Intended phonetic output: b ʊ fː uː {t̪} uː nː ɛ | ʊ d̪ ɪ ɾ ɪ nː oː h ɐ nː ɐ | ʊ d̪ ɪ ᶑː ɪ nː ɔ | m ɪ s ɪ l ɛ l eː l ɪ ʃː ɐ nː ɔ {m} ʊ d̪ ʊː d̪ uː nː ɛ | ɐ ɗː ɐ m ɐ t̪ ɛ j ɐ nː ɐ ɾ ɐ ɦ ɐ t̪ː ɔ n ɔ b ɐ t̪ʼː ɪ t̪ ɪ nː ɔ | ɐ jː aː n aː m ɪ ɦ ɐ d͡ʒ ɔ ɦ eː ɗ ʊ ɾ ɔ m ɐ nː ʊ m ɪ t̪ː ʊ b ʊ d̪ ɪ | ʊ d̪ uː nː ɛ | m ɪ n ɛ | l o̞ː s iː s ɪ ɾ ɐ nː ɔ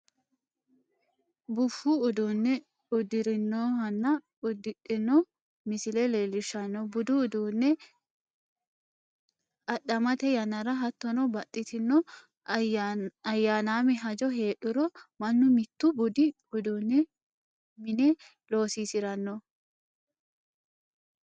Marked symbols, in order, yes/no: no, no

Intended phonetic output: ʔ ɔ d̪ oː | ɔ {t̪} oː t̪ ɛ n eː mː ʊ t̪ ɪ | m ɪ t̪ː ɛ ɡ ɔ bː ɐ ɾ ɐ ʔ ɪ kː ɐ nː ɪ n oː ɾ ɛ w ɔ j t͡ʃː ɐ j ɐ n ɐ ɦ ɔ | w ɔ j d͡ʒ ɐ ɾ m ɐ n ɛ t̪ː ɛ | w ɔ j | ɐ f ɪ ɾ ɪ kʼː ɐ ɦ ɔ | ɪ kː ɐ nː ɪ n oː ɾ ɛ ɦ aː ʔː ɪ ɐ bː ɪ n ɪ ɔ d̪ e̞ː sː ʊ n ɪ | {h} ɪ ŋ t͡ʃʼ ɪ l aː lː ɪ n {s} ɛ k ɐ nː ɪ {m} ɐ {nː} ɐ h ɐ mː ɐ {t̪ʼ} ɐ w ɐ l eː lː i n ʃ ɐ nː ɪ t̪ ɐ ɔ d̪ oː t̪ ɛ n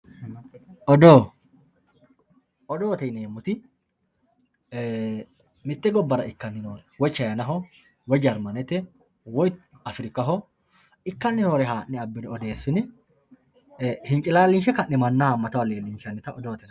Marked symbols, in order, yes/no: no, yes, no, yes, yes, no

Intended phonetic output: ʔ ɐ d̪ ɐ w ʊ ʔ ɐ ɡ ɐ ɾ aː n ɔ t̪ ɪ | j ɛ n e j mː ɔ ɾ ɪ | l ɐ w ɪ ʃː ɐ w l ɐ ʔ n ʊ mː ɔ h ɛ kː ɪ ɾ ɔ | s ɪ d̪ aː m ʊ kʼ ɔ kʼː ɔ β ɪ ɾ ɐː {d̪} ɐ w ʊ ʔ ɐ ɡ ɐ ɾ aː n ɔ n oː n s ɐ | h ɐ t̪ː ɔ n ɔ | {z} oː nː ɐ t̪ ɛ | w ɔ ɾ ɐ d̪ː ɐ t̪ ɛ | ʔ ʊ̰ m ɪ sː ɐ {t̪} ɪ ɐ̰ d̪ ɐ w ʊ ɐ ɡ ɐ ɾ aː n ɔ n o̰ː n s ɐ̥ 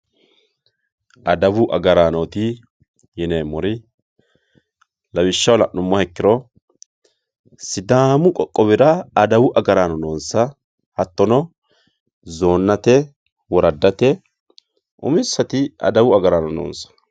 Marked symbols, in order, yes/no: yes, yes, yes

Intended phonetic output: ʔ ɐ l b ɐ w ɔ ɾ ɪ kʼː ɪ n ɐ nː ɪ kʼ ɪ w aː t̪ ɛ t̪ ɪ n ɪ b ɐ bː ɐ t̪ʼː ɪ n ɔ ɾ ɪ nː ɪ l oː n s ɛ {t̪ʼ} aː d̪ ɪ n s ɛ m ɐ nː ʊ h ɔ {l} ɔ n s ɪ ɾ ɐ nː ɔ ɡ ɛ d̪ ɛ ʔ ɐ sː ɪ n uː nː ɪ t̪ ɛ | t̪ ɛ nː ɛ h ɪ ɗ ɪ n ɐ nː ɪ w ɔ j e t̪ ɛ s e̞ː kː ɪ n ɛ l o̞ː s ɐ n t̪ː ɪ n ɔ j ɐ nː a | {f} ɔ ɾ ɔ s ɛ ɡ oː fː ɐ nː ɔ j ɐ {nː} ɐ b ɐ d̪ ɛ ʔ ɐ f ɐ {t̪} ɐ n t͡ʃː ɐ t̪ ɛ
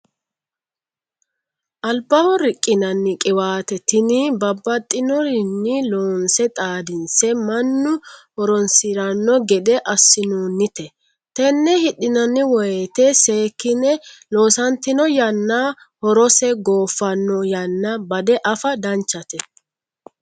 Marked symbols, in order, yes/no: yes, no, no, yes, no

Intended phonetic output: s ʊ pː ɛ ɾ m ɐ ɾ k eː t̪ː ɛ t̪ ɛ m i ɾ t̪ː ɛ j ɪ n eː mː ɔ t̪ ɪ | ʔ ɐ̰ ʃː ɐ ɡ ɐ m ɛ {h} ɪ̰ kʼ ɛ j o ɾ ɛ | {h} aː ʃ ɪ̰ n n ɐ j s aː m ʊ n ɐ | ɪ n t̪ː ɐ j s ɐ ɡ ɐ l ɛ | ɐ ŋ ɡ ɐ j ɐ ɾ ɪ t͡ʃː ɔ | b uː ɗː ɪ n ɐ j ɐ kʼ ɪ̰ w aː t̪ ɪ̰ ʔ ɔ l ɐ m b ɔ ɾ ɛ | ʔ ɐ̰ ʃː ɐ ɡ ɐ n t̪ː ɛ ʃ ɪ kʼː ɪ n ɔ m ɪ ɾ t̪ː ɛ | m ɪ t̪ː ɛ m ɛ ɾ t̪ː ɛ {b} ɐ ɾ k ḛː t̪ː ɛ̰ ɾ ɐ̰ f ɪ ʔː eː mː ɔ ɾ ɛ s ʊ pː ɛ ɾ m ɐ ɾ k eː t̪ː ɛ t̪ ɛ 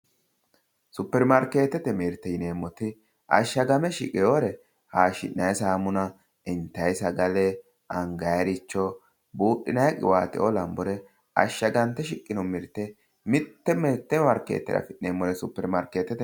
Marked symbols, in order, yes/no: no, yes, no

